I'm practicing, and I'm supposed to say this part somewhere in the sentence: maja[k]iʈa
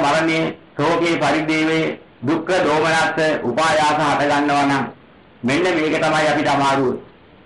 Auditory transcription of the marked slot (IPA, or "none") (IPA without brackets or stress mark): p